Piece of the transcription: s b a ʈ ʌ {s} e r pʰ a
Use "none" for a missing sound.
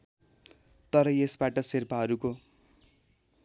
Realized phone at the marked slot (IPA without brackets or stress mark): s